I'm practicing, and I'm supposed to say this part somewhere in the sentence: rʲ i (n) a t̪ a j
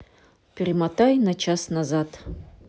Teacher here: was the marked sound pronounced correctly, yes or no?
no